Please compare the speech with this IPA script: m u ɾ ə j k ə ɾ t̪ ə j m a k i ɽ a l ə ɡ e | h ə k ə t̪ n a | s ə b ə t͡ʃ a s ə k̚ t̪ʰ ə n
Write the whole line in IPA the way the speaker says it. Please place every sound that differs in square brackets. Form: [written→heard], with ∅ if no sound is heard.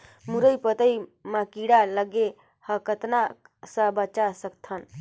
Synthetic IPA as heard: m u ɾ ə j [k→p] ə [ɾ→∅] t̪ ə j m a k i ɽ a l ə ɡ e | h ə k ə t̪ n a | s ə b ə t͡ʃ a s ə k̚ t̪ʰ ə n